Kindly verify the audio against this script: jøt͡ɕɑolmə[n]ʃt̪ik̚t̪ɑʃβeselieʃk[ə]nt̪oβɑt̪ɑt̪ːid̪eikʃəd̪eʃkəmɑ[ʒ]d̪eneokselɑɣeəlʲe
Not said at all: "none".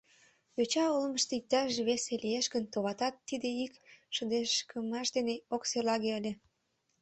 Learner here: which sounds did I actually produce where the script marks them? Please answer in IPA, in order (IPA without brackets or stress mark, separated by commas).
none, ə, ʃ